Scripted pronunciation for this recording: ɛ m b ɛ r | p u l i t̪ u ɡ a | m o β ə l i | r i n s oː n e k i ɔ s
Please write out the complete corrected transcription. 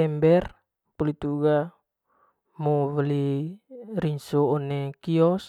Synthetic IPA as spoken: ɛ m b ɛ r | p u l i t̪ u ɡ a | m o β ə l i | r i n s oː n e k i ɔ s